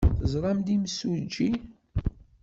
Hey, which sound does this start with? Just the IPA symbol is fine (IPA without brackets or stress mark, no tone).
θ